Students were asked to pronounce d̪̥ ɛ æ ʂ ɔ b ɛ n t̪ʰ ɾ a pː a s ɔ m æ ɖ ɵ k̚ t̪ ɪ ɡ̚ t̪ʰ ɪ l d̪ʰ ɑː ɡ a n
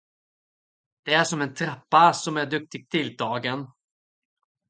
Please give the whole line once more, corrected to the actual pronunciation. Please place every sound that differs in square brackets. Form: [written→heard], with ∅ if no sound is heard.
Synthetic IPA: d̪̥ ɛ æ ʂ ɔ [b→m] ɛ n t̪ʰ ɾ a pː a s ɔ m æ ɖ ɵ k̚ t̪ ɪ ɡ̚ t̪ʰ ɪ l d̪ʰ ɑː ɡ [a→ə] n